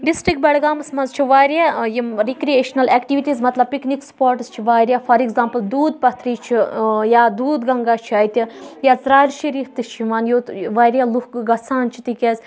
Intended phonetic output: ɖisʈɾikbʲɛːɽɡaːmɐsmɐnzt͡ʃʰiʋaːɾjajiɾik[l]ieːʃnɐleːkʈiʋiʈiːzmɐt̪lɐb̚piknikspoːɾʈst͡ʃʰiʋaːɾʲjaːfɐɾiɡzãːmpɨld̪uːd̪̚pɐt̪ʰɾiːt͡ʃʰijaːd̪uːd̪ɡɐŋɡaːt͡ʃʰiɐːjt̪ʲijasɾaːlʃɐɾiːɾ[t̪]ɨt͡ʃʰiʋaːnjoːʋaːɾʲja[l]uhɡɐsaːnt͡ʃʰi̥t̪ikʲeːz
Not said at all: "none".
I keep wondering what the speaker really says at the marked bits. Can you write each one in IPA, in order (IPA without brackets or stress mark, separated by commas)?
ɾ, t̪, l